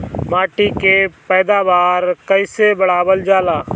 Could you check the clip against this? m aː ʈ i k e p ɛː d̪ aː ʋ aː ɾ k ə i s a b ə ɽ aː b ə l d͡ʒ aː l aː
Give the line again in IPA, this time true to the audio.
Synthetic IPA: m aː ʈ i k e p ɛː d̪ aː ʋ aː ɾ k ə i s e b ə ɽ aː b ə l d͡ʒ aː l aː